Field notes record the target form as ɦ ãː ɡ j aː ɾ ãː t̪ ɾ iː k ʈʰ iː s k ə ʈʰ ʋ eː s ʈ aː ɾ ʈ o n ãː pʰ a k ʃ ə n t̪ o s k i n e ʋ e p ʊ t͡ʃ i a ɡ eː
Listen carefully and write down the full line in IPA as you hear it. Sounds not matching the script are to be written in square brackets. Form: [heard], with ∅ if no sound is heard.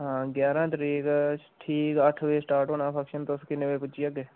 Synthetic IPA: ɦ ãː ɡ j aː ɾ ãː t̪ ɾ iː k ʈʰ iː [∅] k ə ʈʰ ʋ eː s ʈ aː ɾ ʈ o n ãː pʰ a k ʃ ə n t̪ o s k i n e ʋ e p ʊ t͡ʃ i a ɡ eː

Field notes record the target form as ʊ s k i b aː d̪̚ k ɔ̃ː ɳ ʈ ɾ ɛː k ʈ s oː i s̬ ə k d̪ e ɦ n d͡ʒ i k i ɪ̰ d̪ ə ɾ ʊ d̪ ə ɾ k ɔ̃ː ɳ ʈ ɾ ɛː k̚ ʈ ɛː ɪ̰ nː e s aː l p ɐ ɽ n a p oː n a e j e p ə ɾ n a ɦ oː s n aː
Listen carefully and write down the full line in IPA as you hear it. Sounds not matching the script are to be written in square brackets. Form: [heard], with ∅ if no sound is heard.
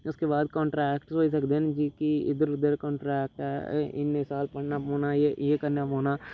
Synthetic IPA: ʊ s k [e] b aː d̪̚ k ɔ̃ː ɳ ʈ ɾ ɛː k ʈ s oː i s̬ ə k d̪ e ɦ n d͡ʒ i k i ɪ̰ d̪ ə ɾ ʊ d̪ ə ɾ k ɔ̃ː ɳ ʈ ɾ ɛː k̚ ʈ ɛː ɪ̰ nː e s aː l p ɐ ɽ n a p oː n a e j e [k] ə ɾ n a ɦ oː [∅] n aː

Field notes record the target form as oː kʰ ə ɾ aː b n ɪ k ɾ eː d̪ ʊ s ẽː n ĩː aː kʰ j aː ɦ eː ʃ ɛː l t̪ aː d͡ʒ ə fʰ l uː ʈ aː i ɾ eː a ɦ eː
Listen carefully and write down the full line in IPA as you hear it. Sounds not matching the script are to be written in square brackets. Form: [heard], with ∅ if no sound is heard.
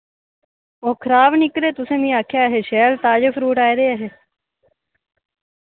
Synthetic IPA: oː kʰ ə ɾ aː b n ɪ k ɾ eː [t̪] ʊ s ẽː [m] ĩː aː kʰ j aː ɦ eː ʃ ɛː l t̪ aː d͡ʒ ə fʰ [ɾ] uː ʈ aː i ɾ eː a ɦ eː

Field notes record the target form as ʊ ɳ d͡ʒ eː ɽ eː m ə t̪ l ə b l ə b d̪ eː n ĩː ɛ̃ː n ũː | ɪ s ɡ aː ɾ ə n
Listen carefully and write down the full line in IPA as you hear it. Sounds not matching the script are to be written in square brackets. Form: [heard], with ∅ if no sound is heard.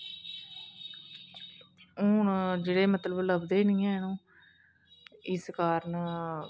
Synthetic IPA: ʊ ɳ d͡ʒ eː ɽ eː m ə t̪ l ə b l ə b d̪ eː n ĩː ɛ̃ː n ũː | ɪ s [k] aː ɾ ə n

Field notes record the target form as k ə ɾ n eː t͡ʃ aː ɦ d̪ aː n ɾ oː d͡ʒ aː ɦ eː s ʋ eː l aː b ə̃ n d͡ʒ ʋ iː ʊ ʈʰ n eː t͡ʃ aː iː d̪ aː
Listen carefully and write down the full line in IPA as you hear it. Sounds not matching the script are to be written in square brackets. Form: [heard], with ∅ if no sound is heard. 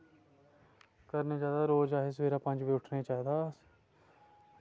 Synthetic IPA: k ə ɾ n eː t͡ʃ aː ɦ d̪ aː [∅] ɾ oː d͡ʒ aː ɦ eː s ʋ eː [ɾ] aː [p] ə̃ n d͡ʒ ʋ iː ʊ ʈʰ n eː t͡ʃ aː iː d̪ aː

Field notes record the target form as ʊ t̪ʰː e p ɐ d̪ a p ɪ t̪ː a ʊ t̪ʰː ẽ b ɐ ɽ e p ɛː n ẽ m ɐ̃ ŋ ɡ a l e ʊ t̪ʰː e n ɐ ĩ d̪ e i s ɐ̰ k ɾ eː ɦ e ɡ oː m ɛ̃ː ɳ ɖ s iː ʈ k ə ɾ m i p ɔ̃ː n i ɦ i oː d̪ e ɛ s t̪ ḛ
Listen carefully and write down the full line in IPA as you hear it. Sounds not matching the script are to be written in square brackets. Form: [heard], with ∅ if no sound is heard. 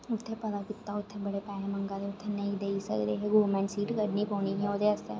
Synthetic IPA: ʊ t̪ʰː e p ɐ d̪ a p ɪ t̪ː a ʊ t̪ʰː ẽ b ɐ ɽ e p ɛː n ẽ m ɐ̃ ŋ ɡ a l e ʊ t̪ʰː e n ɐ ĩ d̪ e i s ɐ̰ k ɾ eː ɦ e ɡ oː m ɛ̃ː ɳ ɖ s iː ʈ k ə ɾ [n] i p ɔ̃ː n i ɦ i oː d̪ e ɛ s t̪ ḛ

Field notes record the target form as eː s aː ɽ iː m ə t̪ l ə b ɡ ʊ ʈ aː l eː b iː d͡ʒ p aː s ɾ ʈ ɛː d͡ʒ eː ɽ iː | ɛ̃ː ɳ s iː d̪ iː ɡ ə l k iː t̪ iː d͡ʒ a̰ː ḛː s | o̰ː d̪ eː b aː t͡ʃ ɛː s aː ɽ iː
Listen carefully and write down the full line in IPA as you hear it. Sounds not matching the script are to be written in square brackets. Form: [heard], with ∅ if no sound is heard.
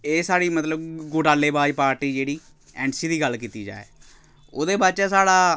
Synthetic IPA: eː s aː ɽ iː m ə t̪ l ə b ɡ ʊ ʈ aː l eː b [aː] d͡ʒ p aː [∅] ɾ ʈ [iː] d͡ʒ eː ɽ iː | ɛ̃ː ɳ s iː d̪ iː ɡ ə l k iː t̪ iː d͡ʒ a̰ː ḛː [∅] | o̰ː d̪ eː b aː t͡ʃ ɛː s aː ɽ [aː]

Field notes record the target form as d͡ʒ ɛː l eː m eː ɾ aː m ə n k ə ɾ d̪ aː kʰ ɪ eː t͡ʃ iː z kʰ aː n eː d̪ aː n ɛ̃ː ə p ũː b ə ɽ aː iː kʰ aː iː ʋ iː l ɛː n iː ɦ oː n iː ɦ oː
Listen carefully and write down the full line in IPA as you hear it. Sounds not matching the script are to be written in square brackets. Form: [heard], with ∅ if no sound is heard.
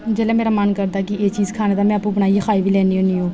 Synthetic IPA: d͡ʒ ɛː l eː m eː ɾ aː m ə n k ə ɾ d̪ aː [k] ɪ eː t͡ʃ iː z kʰ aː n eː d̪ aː [m] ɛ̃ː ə p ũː b ə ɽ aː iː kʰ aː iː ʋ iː l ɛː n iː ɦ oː n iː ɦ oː

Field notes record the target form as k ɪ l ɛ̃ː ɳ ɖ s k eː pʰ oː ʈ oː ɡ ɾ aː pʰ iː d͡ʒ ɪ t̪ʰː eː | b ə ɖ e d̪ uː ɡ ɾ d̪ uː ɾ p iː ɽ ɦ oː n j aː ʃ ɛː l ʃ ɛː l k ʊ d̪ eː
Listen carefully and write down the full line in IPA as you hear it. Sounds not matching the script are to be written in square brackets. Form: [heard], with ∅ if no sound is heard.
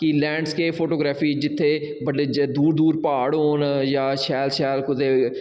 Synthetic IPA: k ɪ l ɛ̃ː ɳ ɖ s k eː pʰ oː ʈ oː ɡ ɾ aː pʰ iː d͡ʒ ɪ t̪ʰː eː | b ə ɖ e d̪ uː [∅] ɾ d̪ uː ɾ p [aː] ɽ ɦ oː n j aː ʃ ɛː l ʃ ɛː l k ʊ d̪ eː

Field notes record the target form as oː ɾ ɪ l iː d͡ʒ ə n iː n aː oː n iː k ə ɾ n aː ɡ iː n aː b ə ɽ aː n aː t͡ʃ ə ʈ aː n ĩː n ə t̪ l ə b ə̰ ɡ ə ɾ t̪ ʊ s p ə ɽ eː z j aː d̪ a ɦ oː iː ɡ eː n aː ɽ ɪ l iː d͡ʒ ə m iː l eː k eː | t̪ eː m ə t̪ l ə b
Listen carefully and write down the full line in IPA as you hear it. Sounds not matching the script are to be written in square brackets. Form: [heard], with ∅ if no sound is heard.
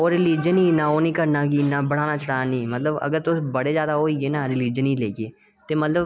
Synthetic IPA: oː ɾ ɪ l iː d͡ʒ ə n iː n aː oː n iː k ə ɾ n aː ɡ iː n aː b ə ɽ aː n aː t͡ʃ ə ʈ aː n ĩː [m] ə t̪ l ə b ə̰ ɡ ə ɾ t̪ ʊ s [b] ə ɽ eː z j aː d̪ a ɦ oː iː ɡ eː n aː [ɾ] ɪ l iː d͡ʒ ə [n] iː l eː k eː | t̪ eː m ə t̪ l ə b

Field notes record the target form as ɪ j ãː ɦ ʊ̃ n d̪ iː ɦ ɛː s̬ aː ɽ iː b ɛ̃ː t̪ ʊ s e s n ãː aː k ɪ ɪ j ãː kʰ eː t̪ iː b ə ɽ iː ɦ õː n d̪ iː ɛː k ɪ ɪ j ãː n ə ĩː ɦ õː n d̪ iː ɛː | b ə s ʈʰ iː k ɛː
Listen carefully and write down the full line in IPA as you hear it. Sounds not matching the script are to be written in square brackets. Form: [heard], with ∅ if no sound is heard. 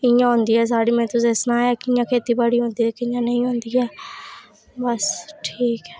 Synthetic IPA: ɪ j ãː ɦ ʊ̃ n d̪ iː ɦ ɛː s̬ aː ɽ iː [m] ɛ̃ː t̪ ʊ s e s n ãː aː k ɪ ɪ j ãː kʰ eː t̪ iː b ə ɽ iː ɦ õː n d̪ iː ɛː k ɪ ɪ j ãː n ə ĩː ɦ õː n d̪ iː ɛː | b ə s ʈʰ iː k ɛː

